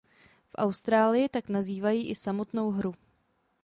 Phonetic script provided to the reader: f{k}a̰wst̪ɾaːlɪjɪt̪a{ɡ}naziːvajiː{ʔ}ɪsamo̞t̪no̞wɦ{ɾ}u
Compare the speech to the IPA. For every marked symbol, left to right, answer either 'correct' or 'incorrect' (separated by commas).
incorrect, incorrect, correct, correct